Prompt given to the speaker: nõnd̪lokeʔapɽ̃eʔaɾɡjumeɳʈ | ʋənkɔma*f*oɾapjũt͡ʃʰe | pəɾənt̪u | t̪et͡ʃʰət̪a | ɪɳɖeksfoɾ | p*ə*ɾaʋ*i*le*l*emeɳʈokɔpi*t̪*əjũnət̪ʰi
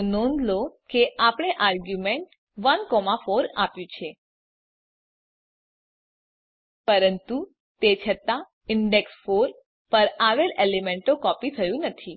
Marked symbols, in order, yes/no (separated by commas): yes, yes, no, yes, no